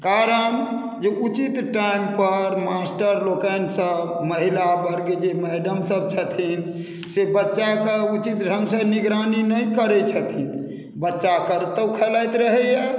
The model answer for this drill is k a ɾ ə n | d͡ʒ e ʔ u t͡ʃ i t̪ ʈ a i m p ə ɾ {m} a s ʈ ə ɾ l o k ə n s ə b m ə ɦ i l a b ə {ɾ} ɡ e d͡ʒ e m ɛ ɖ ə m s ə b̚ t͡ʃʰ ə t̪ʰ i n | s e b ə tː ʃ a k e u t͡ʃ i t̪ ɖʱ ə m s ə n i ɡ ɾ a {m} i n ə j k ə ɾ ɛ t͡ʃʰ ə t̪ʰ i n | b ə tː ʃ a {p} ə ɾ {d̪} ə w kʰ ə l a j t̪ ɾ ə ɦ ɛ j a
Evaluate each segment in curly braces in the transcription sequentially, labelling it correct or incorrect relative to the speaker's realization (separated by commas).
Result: correct, correct, incorrect, incorrect, incorrect